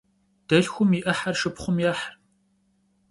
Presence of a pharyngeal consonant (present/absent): present